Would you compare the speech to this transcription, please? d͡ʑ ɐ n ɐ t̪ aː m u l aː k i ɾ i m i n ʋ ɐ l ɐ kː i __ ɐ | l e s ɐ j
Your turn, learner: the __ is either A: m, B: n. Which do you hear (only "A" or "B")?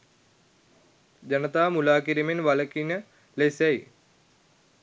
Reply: B